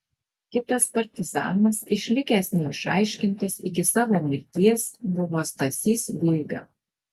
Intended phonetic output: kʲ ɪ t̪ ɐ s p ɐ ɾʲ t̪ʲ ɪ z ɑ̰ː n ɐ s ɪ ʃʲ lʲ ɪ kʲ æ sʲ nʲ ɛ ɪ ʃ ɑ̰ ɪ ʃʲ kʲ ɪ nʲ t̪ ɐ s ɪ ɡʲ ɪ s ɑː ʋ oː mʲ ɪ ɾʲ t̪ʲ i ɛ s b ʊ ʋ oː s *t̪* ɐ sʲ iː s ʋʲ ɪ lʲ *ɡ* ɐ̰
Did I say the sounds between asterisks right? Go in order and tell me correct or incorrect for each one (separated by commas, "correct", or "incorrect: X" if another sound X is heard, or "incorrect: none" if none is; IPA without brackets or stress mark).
correct, correct